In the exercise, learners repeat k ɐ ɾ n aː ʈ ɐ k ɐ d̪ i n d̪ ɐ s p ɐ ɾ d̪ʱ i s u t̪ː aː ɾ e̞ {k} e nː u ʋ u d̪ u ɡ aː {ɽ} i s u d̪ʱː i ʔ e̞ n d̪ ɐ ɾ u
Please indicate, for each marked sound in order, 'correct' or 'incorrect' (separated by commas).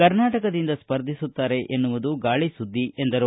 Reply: incorrect, incorrect